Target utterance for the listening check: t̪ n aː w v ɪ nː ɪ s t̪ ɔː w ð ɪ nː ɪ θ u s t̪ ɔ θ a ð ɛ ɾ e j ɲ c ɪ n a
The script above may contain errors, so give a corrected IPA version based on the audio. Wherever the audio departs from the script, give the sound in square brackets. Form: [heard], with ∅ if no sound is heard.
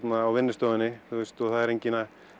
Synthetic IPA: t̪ n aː w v ɪ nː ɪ s t̪ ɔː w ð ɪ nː ɪ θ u s t̪ ɔ θ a ð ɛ ɾ e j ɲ c ɪ n a